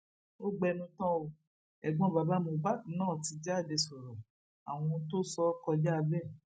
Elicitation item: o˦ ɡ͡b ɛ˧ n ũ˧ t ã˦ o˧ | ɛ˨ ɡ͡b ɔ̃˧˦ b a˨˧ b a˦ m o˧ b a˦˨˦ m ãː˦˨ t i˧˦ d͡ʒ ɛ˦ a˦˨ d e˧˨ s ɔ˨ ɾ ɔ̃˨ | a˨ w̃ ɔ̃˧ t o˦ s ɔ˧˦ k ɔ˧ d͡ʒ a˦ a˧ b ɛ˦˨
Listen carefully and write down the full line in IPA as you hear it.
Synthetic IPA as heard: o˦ ɡ͡b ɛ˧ n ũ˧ t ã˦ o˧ | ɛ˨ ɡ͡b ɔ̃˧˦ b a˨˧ b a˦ m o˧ b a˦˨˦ n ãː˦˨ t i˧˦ d͡ʒ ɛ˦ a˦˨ d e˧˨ s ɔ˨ ɾ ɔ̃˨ | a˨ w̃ ɔ̃˧ t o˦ s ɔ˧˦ k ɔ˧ d͡ʒ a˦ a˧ b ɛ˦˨